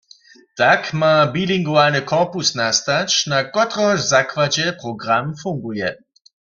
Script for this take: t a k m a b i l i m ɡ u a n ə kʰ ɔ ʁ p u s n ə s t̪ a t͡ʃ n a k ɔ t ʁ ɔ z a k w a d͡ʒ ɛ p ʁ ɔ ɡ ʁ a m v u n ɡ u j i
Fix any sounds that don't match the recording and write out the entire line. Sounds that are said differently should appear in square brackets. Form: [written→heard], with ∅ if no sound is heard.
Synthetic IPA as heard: t a k m a b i l i [m→ŋ] ɡ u a n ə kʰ ɔ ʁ p u s n [ə→a] s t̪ a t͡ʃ n a k ɔ t ʁ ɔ z a k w a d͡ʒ ɛ p ʁ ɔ ɡ ʁ a m [v→f] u [n→ŋ] ɡ u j [i→ɛ]